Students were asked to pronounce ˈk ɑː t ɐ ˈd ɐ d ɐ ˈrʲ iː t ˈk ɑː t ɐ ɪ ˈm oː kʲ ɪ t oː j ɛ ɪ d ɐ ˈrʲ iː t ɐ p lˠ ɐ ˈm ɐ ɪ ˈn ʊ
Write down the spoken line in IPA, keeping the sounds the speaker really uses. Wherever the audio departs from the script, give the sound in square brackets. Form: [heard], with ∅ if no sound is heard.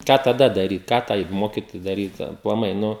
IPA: ˈk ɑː t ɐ ˈd ɐ d ɐ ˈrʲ iː t ˈk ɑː t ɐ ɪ ˈm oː kʲ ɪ t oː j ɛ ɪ d ɐ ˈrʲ iː t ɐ p lˠ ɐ ˈm ɐ ɪ ˈn ʊ